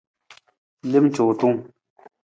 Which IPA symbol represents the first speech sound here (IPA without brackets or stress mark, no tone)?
l